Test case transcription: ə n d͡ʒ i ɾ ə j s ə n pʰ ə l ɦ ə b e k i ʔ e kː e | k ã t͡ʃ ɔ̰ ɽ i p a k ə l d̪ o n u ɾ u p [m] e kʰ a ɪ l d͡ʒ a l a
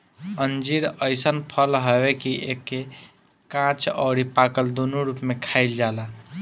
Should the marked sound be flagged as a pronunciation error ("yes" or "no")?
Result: no